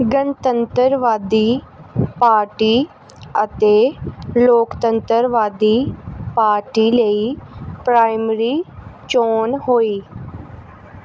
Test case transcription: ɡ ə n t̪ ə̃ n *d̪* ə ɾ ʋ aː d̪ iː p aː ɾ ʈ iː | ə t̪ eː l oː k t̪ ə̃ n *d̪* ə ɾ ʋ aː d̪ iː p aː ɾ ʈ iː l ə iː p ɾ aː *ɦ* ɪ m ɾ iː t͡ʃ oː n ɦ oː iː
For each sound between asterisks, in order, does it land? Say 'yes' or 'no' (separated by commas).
no, no, no